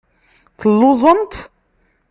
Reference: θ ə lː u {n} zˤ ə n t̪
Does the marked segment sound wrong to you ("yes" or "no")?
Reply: yes